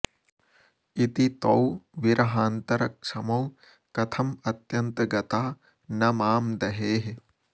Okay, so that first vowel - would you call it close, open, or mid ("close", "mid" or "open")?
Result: close